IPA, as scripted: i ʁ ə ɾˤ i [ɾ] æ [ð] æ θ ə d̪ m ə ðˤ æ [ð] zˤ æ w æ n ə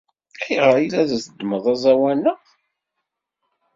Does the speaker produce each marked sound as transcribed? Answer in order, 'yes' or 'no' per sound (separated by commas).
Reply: no, yes, no